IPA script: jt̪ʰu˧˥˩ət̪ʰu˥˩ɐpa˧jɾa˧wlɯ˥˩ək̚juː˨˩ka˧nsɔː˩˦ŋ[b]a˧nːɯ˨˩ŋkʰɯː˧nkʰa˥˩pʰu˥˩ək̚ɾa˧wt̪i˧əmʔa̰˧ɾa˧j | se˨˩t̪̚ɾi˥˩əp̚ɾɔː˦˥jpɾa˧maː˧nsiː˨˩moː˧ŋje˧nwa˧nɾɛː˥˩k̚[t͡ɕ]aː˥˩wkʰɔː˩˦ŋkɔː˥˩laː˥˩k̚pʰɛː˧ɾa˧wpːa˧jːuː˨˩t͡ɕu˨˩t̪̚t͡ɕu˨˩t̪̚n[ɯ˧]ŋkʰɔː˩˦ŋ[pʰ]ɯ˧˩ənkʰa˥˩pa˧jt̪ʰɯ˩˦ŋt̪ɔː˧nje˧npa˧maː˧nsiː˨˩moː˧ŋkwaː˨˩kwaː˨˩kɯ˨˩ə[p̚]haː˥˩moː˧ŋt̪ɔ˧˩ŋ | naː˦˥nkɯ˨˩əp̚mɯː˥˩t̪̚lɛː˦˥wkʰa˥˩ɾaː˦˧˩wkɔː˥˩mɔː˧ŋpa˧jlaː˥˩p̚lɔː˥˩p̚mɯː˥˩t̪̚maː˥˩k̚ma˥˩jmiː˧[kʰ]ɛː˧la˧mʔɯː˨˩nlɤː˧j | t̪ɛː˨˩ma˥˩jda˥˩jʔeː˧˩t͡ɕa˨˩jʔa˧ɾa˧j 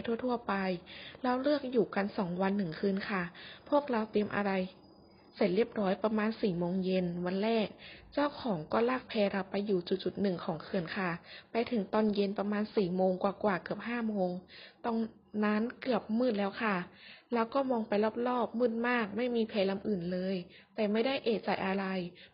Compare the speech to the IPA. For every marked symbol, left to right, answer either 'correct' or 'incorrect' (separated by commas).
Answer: incorrect, correct, incorrect, incorrect, correct, incorrect